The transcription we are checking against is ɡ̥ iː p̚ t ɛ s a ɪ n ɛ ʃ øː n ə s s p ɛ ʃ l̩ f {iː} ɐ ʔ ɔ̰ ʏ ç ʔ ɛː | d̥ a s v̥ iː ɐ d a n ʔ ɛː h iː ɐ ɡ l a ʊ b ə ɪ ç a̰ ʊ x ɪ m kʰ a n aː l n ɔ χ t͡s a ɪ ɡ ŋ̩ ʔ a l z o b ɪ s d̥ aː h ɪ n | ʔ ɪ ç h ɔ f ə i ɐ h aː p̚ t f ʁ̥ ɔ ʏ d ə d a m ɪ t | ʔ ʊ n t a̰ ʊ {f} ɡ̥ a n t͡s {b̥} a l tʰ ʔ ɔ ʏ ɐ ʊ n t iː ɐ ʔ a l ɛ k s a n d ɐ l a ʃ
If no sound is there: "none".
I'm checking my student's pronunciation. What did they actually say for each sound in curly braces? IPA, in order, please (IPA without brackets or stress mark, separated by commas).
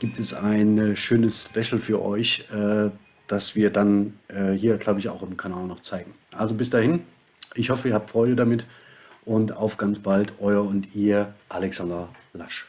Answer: yː, f, b̥